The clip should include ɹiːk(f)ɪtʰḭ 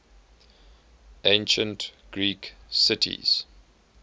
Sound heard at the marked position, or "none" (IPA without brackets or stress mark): s